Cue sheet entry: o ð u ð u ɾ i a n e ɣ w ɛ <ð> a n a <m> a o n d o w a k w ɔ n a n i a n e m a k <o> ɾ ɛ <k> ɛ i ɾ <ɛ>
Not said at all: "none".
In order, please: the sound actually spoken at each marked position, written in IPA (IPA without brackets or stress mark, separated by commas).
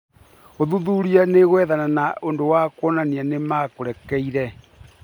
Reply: ð, n, o, k, ɛ